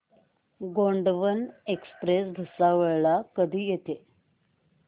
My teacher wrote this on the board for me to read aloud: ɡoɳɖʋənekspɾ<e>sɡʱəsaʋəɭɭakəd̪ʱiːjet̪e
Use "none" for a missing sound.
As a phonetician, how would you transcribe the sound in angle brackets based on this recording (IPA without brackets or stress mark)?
e